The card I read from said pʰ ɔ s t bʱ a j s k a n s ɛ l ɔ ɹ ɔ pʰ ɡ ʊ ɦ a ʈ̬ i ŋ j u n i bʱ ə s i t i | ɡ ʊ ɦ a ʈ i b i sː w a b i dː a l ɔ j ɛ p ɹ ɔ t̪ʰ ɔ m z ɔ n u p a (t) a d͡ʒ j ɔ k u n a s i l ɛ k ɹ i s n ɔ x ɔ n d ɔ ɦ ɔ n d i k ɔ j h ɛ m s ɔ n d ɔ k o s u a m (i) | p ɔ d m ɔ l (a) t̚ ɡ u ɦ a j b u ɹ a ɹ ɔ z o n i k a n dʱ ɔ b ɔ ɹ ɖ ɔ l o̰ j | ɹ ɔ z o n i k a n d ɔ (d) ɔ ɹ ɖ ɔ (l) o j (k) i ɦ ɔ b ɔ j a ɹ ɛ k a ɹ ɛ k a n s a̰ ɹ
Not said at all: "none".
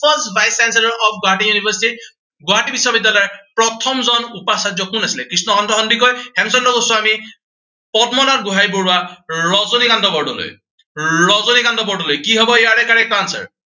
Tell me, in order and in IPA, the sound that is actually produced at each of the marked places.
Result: s, i, a, b, l, k

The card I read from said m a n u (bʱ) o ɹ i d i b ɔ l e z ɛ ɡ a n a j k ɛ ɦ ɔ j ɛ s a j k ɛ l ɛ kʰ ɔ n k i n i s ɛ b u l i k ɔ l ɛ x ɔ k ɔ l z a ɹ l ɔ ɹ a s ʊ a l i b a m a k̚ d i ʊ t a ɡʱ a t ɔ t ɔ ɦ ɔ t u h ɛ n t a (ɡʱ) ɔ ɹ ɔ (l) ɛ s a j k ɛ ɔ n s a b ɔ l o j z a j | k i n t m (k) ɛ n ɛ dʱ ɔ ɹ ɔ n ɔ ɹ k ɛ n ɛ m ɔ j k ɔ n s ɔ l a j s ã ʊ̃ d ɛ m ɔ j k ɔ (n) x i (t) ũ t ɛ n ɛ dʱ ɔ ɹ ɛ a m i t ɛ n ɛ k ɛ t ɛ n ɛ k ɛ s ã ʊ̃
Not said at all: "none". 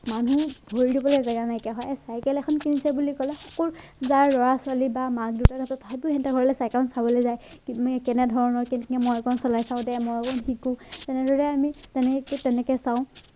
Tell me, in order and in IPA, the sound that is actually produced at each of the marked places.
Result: bʱ, ɡʱ, l, k, n, k

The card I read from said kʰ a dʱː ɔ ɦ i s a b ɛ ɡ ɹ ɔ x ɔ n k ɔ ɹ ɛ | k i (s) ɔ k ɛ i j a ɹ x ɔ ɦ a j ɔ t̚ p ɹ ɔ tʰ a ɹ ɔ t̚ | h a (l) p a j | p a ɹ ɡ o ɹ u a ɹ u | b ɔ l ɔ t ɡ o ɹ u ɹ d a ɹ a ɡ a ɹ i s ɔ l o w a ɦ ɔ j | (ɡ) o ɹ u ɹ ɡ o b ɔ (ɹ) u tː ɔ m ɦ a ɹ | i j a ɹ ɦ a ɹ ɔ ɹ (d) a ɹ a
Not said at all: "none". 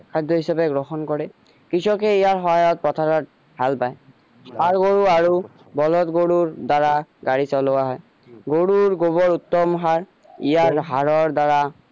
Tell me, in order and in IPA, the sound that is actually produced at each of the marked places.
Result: s, l, ɡ, ɹ, d

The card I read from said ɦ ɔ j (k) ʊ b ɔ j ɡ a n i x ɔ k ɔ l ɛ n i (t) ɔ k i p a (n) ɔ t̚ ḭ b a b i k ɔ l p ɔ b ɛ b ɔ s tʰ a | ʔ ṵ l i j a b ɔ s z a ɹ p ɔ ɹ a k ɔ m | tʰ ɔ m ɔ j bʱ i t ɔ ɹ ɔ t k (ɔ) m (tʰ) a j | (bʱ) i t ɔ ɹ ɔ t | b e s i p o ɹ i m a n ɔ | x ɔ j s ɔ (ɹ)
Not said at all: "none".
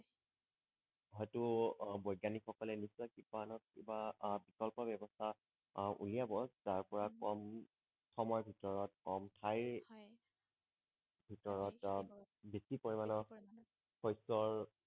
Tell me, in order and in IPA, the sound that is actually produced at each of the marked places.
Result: t, s, n, ɔ, tʰ, bʱ, ɹ

